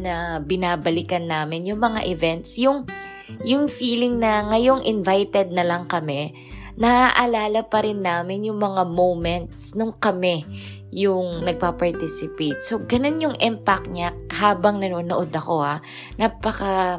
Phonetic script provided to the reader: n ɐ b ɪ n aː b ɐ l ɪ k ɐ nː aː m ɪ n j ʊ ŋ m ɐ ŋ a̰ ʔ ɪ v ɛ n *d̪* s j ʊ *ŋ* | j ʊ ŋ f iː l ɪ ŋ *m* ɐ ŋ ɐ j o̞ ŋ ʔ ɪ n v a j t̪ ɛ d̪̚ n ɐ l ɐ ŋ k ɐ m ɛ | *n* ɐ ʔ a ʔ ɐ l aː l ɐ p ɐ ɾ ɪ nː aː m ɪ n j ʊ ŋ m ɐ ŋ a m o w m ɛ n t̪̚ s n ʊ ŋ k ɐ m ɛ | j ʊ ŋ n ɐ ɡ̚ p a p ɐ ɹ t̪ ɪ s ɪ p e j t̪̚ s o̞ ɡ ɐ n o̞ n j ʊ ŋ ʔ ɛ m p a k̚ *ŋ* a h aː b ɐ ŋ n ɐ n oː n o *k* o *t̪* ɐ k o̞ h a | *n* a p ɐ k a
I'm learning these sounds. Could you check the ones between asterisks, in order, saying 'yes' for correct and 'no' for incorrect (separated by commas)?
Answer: no, yes, no, yes, no, no, no, yes